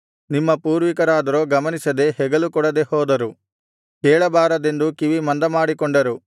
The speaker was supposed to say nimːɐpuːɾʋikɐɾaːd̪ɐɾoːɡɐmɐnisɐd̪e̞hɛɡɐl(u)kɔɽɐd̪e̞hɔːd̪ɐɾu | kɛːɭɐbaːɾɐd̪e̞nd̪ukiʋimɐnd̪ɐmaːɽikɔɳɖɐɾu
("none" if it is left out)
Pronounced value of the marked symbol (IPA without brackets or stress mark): u